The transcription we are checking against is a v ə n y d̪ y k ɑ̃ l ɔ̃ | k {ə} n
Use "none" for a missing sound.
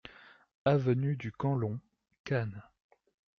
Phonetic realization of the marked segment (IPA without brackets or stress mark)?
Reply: a